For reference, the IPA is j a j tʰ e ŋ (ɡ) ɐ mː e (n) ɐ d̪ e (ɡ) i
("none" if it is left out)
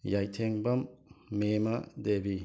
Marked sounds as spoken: b, m, b

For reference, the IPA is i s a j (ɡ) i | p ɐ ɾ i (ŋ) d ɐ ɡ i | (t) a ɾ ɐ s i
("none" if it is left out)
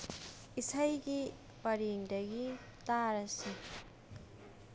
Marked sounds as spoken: ɡ, ŋ, t

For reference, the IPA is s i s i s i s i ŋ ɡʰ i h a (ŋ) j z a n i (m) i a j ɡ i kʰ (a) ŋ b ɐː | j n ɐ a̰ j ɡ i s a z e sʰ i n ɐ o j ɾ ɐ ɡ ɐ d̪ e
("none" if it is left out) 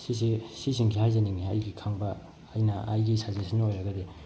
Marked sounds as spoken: none, ŋ, a

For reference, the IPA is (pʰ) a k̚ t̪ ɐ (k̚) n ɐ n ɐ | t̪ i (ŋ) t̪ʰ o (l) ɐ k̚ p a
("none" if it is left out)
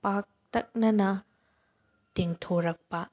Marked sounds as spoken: p, k̚, ŋ, ɾ

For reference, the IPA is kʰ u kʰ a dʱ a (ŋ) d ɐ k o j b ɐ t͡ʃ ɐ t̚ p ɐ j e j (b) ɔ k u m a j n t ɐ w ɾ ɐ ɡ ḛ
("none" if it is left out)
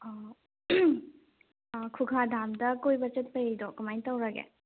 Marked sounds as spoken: m, d

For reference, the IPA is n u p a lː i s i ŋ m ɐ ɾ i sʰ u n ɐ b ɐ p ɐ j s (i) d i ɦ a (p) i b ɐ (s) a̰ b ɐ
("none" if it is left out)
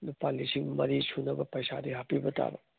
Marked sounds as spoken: a, p, t

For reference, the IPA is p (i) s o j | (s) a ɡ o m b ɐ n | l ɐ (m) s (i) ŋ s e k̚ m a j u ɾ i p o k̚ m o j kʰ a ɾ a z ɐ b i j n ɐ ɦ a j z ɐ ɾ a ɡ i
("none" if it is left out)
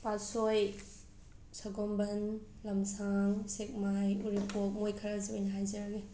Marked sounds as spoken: a, s, m, a

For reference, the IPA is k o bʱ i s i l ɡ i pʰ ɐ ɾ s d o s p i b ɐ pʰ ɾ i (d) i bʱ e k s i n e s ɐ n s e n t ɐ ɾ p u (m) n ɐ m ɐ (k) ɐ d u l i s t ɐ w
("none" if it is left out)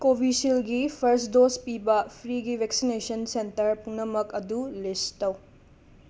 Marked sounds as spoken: ɡ, ŋ, k

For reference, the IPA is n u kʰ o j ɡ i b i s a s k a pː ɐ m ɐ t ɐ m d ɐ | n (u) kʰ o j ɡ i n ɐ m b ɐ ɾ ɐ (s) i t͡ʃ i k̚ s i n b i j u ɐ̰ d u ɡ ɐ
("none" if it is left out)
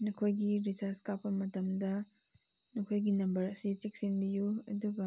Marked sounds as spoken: u, s

